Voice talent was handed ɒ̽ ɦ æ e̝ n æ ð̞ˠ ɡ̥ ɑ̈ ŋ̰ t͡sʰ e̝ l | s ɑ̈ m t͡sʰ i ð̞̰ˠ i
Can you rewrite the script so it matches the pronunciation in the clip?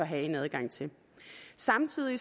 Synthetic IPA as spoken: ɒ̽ ɦ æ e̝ n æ ð̞ˠ ɡ̥ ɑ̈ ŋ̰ t͡sʰ e̝ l | s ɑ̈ m t͡sʰ i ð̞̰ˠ i